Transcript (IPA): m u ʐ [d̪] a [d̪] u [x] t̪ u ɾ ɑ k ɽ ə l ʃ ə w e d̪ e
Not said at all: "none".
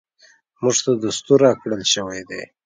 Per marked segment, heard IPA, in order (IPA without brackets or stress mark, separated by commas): t̪, d̪, s